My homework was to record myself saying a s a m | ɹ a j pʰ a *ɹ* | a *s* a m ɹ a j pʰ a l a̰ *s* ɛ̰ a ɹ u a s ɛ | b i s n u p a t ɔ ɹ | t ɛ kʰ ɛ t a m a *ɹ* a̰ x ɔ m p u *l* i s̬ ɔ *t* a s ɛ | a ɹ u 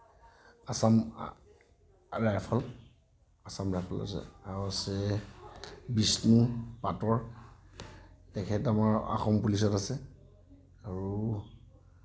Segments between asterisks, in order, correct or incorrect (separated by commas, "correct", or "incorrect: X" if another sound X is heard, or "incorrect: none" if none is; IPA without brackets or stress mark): incorrect: l, correct, correct, correct, correct, correct